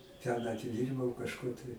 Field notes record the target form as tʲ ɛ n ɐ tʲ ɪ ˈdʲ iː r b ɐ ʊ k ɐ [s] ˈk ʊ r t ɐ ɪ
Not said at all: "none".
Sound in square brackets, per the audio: ʃ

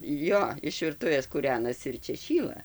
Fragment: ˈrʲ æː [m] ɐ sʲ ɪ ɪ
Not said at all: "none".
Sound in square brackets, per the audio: n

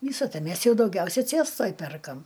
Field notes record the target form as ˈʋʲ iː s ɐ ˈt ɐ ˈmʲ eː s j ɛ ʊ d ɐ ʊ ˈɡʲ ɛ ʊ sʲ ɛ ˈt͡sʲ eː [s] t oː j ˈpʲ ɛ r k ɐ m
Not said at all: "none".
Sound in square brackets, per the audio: s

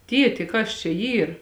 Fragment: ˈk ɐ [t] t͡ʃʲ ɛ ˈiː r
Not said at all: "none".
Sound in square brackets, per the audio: s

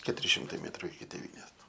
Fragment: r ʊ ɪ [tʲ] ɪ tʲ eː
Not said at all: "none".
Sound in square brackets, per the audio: kʲ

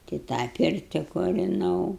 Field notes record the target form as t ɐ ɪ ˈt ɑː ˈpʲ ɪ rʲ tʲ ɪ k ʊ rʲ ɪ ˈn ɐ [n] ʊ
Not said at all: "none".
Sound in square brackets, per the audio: none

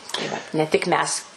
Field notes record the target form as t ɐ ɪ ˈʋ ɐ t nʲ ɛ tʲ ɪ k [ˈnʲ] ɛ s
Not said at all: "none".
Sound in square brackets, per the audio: mʲ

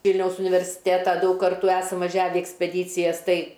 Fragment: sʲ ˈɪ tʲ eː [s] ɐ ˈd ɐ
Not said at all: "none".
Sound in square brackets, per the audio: t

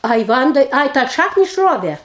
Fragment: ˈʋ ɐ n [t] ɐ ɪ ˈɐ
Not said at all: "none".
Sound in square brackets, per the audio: d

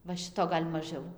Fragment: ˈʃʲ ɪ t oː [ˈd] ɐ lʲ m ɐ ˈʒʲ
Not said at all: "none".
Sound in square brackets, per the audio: ɡ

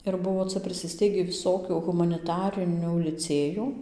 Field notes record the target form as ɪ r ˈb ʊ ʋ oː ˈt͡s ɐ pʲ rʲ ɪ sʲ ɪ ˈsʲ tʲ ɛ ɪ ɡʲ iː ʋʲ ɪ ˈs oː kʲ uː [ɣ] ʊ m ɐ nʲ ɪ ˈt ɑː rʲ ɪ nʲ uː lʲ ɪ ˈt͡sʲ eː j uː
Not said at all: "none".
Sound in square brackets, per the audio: ɣ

